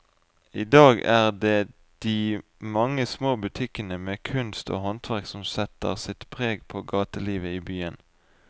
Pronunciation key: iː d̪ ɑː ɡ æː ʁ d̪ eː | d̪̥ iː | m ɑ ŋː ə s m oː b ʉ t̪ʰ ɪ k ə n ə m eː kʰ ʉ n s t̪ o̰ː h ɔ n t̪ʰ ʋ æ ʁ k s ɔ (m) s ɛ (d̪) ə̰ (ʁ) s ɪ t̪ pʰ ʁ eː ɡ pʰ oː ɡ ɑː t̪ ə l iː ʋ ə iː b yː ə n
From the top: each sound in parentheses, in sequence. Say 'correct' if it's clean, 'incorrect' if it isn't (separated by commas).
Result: correct, incorrect, correct